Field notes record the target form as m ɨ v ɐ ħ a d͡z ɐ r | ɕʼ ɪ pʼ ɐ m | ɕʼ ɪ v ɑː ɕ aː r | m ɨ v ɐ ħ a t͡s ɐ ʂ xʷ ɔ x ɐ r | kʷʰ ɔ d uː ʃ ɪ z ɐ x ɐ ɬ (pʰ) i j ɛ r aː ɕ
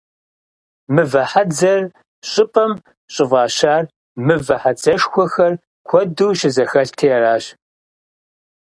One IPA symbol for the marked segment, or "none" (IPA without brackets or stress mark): tʰ